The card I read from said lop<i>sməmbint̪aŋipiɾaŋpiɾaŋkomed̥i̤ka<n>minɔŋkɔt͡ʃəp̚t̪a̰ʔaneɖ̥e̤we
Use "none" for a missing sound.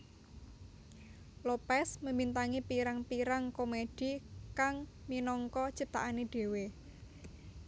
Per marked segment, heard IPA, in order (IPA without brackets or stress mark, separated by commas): ɛ, ŋ